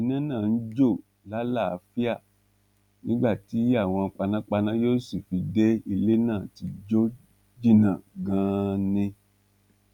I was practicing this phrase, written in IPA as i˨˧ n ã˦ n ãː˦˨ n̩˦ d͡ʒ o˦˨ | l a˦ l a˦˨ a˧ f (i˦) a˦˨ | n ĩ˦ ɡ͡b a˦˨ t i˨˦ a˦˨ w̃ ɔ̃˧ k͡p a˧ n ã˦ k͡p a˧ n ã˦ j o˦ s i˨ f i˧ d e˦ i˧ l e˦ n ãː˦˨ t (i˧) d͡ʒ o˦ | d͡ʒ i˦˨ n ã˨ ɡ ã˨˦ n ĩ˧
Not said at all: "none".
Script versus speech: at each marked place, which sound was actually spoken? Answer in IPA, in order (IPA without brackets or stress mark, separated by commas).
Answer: i˦, i˧